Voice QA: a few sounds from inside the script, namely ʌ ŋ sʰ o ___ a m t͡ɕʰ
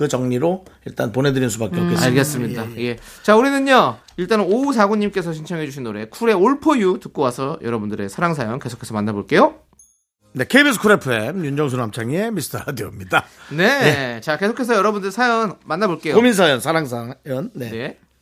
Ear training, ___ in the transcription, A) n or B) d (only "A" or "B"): A